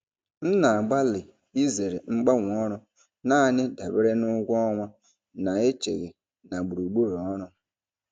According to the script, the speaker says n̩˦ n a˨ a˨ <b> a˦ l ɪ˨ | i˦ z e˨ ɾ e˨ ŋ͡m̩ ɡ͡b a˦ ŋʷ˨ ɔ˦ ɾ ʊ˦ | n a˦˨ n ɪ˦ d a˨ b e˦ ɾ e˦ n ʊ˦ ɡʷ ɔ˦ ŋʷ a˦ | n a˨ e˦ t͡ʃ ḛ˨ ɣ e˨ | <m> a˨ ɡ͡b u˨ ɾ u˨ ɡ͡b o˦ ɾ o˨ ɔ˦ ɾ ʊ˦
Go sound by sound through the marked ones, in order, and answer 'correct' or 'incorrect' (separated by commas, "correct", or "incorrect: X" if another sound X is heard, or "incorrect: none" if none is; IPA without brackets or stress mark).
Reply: incorrect: ɡ͡b, incorrect: n